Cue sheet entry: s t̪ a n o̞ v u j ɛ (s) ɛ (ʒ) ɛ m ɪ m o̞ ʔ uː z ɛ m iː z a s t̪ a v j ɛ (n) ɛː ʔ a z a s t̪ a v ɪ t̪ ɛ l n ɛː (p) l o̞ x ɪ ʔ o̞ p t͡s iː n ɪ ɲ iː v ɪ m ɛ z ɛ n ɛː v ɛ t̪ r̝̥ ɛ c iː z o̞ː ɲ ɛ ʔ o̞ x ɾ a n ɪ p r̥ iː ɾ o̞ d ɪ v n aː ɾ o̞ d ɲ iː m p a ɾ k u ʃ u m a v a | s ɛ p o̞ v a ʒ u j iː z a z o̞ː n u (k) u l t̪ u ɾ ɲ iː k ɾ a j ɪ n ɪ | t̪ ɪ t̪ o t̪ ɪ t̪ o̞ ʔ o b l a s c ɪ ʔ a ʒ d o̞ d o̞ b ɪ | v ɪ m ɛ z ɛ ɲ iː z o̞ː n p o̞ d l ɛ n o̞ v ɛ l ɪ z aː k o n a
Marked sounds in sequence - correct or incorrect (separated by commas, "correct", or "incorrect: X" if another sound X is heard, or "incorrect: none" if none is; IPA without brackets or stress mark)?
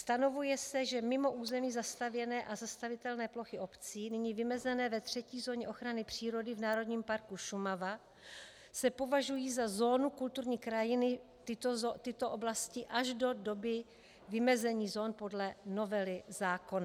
correct, correct, correct, correct, correct